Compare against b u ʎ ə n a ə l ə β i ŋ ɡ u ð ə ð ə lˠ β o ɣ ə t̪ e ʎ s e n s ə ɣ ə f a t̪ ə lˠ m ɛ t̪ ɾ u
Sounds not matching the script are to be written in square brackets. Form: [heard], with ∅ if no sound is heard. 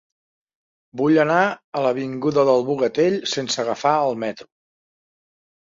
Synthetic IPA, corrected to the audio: b u ʎ ə n a ə l ə β i ŋ ɡ u ð ə ð ə lˠ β [u] ɣ ə t̪ e ʎ s e n s ə ɣ ə f a [∅] ə lˠ m ɛ t̪ ɾ u